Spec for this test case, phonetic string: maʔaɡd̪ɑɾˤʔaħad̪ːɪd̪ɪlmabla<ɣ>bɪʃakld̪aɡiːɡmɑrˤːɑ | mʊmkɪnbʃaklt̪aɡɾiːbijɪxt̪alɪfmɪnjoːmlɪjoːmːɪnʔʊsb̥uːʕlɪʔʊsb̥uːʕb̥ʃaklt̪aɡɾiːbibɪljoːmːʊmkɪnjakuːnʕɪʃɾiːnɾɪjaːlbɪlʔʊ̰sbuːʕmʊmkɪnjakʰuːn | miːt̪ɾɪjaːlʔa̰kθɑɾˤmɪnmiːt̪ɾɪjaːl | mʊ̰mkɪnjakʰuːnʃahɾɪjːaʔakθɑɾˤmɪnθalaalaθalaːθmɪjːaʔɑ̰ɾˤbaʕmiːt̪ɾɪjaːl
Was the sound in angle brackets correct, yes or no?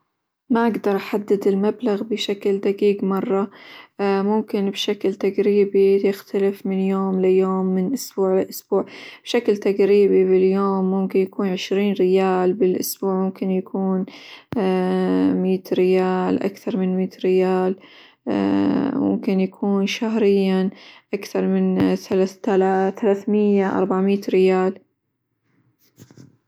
yes